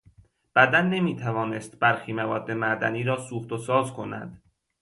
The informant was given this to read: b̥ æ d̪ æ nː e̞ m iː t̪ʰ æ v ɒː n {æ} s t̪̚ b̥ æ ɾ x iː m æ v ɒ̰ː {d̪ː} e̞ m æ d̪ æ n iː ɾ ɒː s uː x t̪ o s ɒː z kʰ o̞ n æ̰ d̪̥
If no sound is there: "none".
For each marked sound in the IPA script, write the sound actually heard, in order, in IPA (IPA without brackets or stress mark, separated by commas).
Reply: e, d̪ː